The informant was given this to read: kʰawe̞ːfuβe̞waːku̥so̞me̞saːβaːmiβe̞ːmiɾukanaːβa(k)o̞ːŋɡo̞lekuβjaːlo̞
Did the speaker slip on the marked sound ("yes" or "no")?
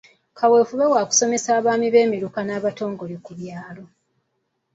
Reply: yes